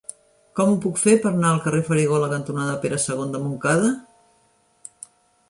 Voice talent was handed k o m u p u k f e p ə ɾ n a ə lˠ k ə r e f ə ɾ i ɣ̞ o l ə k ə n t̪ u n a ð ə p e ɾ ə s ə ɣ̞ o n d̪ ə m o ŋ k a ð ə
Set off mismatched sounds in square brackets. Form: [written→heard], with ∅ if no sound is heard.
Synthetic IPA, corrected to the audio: k [o→ɔ] m u p u k f e p ə ɾ n a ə lˠ k ə r e f ə ɾ i ɣ̞ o l ə k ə n t̪ u n a ð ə p e ɾ ə s ə ɣ̞ o n d̪ ə m [o→u] ŋ k a ð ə

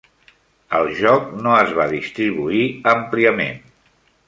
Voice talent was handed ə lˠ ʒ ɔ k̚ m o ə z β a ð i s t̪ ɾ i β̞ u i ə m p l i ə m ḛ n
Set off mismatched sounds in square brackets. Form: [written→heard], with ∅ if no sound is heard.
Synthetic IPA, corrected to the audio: ə lˠ ʒ ɔ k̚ [m→n] o ə z β a ð i s t̪ ɾ i β̞ u i ə m p l i ə m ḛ n

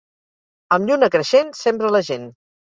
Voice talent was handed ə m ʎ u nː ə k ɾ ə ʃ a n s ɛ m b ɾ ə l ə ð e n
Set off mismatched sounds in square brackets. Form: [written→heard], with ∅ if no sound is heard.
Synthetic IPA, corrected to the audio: ə m ʎ u [nː→n] ə k ɾ ə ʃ [a→e] n s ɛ m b ɾ ə l ə [ð→ʒ] e n

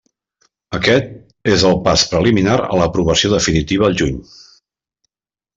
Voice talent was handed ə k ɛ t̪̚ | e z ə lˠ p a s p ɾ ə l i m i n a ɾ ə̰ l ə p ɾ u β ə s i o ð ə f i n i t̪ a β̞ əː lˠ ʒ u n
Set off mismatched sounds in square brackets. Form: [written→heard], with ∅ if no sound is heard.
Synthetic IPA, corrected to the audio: ə k ɛ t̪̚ | e z ə lˠ p a s p ɾ ə l i m i n a ɾ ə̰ l ə p ɾ u β ə s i o ð ə f i n i t̪ [a→i] β̞ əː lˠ ʒ u [n→ɲ]

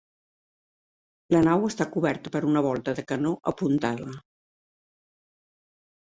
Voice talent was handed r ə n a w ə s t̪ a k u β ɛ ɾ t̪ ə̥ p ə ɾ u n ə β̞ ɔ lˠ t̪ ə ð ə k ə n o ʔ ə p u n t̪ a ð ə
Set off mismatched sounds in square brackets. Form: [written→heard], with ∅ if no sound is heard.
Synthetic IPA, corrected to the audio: [r→l] ə n a w ə s t̪ a k u β ɛ ɾ t̪ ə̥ p ə ɾ u n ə β̞ ɔ lˠ t̪ ə ð ə k ə n o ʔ ə p u n t̪ a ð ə

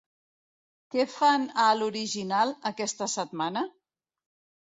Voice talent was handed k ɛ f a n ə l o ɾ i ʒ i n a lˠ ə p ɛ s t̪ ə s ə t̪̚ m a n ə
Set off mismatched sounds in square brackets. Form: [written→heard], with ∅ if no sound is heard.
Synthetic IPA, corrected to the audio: k ɛ f a n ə l [o→u] ɾ i ʒ i n a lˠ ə [p→k] ɛ s t̪ ə s ə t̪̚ m a n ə

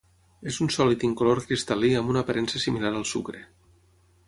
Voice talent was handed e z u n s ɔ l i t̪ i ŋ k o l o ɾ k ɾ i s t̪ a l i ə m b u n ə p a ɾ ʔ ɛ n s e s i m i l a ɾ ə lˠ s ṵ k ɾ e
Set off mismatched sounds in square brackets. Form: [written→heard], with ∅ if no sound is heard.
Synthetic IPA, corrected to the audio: e z u n s ɔ l i t̪ i ŋ k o l o ɾ k ɾ i s t̪ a l i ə m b u n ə p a ɾ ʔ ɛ n s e s i m i l a ɾ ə lˠ s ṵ k ɾ e

